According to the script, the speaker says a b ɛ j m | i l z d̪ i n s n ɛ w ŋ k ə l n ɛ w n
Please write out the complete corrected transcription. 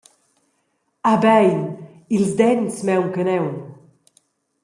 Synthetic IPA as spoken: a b ɛ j n | i l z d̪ ɛ n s m ɛ w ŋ k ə n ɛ w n